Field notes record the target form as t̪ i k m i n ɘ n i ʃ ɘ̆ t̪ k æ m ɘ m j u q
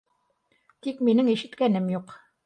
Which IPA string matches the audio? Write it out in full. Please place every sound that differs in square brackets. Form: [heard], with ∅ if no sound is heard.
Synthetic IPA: t̪ i k m i n ɘ [ŋ] i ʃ ɘ̆ t̪ k æ [n] ɘ m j u q